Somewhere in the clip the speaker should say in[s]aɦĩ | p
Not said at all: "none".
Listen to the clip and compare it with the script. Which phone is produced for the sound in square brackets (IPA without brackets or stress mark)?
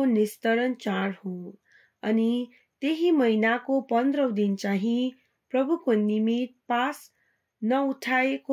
t͡s